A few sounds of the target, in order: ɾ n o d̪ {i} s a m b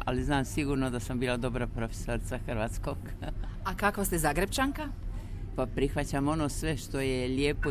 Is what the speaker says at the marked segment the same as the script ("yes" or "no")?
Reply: no